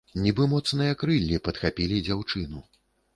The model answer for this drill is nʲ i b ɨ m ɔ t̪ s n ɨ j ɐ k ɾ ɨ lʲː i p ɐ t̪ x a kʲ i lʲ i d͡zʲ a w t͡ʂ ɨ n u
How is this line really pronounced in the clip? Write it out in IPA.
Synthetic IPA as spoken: nʲ i b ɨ m ɔ t̪ s n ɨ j ɐ k ɾ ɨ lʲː i p ɐ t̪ x a pʲ i lʲ i d͡zʲ a w t͡ʂ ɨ n u

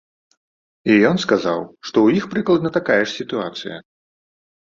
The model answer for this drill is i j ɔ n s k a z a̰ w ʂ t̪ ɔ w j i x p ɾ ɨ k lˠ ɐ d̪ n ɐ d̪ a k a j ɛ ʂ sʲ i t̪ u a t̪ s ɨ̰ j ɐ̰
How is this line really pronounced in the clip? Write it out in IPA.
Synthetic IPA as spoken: i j ɔ n s k a z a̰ w ʂ t̪ ɔ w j i x p ɾ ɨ k lˠ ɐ d̪ n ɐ t̪ a k a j ɛ ʂ sʲ i t̪ u a t̪ s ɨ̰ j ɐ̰

